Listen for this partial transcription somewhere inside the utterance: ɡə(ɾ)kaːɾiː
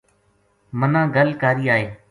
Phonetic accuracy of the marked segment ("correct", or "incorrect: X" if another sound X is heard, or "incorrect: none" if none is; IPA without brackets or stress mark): incorrect: l